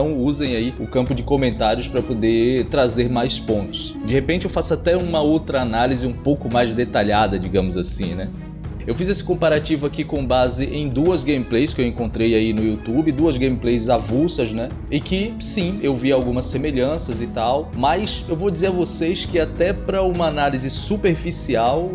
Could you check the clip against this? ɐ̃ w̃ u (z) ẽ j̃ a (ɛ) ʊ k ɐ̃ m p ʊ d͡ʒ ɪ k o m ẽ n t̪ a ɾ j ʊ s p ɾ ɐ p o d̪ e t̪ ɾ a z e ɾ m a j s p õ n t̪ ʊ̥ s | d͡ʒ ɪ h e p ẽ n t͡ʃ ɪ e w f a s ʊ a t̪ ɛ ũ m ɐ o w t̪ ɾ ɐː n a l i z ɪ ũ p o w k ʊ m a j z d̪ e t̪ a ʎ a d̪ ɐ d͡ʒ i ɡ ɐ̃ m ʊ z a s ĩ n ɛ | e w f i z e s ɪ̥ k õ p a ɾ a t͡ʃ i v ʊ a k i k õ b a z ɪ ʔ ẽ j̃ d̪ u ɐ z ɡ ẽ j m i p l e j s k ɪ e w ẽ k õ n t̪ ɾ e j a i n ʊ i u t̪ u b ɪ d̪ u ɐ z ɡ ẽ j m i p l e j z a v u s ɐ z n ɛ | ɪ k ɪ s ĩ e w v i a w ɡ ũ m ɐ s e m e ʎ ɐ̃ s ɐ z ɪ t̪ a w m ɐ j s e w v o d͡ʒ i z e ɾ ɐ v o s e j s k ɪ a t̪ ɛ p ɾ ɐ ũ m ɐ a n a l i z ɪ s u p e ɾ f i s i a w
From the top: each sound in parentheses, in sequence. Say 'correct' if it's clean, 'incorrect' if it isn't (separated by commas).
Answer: correct, incorrect